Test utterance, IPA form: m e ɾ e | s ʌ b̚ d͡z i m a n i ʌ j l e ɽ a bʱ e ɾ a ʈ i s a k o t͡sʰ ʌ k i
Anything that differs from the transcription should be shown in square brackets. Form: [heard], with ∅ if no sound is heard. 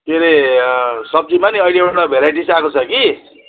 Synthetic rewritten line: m e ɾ e | s ʌ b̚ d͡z i m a n i ʌ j l e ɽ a bʱ e ɾ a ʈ i s a k o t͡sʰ ʌ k i